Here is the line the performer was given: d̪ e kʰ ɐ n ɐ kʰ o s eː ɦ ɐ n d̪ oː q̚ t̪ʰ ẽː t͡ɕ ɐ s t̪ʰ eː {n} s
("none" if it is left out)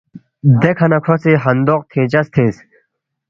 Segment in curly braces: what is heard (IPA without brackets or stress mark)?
none